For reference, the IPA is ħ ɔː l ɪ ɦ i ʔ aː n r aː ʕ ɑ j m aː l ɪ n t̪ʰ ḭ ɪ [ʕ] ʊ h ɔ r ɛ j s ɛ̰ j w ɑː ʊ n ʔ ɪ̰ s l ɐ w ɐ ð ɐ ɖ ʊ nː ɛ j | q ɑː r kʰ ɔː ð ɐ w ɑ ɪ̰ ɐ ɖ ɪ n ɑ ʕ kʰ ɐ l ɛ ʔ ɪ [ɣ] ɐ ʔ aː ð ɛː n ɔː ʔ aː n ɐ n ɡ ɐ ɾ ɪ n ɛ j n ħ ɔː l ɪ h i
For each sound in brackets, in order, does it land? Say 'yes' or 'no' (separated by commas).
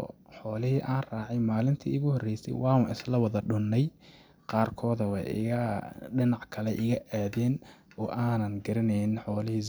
no, yes